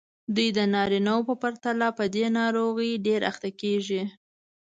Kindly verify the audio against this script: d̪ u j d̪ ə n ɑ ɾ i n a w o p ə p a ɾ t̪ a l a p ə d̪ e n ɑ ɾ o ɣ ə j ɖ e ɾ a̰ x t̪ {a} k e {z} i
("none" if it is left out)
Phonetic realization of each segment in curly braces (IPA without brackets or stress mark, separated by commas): a, ʒ